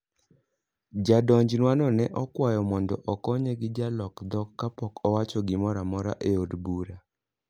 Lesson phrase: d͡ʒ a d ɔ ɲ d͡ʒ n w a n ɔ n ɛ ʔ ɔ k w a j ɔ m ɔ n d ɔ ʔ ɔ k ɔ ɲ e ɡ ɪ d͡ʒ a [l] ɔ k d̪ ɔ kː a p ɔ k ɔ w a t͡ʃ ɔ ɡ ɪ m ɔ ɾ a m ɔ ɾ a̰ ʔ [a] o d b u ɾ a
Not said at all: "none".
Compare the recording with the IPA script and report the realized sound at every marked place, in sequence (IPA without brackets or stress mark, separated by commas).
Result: l, e